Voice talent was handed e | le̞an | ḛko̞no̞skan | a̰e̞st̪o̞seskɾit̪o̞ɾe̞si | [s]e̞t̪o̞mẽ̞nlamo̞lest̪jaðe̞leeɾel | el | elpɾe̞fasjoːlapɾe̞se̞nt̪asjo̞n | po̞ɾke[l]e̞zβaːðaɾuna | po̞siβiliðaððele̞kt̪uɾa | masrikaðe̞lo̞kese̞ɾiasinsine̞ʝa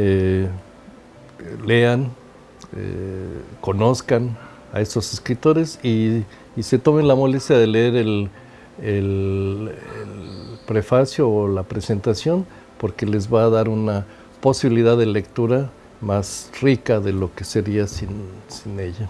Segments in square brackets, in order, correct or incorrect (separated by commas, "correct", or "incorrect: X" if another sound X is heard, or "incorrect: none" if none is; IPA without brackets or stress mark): correct, correct